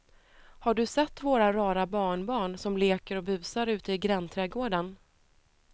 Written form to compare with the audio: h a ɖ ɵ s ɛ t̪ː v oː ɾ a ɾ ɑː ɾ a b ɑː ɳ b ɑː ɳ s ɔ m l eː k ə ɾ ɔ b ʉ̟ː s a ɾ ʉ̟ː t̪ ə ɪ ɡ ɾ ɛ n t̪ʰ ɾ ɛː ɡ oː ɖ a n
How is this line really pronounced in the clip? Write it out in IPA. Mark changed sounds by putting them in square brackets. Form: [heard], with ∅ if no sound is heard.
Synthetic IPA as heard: h a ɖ ɵ s ɛ t̪ː v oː ɾ a ɾ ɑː ɾ a b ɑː ɳ b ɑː ɳ s ɔ m l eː k ə ɾ ɔ b ʉ̟ː s a ɾ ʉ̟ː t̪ ə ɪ ɡ ɾ ɛ n t̪ʰ ɾ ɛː ɡ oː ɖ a n